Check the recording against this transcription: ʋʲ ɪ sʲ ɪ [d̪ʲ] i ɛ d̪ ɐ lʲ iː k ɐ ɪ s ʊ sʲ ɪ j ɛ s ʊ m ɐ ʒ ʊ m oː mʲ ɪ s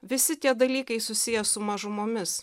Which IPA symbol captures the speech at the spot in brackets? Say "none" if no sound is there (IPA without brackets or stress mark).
t̪ʲ